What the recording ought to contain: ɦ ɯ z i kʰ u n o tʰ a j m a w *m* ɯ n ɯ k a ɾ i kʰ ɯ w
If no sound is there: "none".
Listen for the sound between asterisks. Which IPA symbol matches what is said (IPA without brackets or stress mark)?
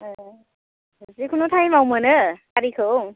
m